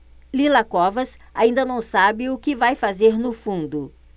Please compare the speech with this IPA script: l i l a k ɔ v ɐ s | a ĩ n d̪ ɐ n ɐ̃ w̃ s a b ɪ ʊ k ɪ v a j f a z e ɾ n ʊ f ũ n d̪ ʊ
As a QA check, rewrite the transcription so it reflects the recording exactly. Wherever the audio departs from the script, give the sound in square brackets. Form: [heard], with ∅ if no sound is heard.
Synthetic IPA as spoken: l i l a k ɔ v ɐ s | a ĩ n d̪ ɐ n ɐ̃ w̃ s a b ɪ ʊ k ɪ v a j f a z e ɾ n ʊ f ũ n d̪ ʊ